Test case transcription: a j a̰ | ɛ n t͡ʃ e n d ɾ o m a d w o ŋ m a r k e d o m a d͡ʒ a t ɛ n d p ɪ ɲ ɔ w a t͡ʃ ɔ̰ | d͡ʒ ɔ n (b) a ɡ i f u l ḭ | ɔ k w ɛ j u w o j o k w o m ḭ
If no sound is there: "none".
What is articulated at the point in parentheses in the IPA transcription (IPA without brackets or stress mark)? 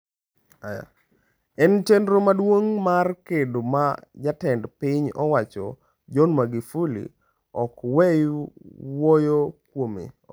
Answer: m